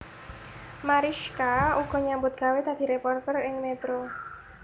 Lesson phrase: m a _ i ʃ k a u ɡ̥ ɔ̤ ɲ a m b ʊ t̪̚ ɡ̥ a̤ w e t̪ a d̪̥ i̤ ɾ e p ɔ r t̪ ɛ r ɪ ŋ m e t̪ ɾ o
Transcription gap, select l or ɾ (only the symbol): ɾ